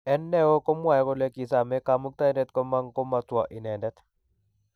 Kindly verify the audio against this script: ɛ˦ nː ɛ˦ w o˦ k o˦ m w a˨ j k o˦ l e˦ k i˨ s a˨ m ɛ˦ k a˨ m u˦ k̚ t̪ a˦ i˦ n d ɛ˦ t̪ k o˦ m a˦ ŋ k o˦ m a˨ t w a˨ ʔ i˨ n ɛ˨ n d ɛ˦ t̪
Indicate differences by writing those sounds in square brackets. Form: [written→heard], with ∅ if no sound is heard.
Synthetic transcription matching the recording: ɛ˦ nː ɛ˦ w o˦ k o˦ m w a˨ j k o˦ l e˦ k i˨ s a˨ m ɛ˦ k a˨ m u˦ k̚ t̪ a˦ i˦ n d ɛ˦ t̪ k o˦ m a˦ ŋ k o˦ m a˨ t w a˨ ʔ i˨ n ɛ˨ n d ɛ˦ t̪